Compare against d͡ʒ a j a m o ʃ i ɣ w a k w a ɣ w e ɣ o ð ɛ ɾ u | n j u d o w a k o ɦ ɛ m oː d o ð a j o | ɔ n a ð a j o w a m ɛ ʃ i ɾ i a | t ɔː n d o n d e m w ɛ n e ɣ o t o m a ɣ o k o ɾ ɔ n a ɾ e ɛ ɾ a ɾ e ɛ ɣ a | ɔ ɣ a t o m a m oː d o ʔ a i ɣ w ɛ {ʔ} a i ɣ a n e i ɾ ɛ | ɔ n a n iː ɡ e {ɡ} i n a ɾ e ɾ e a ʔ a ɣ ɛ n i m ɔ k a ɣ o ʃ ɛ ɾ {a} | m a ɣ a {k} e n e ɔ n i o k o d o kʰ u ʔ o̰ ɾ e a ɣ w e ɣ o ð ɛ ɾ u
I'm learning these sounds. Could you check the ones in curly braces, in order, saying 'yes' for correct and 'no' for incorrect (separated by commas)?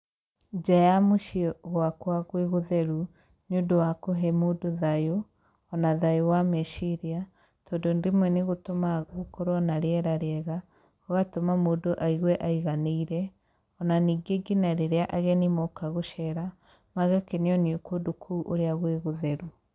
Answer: yes, yes, yes, yes